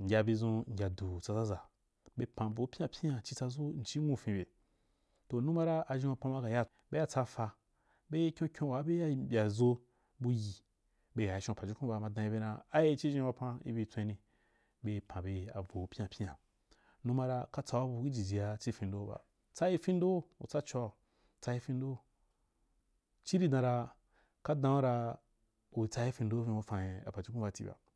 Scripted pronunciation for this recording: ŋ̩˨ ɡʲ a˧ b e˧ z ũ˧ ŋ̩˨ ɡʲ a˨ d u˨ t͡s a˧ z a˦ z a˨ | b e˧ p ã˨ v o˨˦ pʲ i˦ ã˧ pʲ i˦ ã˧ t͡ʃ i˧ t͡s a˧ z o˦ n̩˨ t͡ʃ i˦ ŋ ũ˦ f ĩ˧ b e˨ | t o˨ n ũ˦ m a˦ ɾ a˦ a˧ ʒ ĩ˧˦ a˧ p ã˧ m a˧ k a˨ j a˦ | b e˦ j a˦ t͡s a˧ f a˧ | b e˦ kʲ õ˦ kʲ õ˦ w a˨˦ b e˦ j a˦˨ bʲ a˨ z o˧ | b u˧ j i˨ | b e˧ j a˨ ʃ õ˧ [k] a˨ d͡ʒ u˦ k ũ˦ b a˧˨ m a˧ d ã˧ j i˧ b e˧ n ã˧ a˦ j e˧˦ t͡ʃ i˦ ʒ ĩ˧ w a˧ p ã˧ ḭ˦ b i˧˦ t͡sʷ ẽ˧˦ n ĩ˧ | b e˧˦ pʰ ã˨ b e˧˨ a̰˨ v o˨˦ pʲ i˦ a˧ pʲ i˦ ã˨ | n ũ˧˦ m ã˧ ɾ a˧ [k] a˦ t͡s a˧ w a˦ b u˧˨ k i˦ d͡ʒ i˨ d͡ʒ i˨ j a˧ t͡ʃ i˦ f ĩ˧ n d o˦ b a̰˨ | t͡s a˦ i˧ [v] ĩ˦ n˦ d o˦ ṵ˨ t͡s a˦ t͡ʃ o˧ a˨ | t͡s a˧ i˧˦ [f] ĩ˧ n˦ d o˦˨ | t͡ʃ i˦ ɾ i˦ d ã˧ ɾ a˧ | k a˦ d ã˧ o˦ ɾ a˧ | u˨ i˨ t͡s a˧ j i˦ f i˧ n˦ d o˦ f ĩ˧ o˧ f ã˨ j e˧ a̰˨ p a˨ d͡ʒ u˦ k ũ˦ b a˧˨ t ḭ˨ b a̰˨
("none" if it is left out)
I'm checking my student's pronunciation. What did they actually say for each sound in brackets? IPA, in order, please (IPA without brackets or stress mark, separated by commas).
p, k, f, f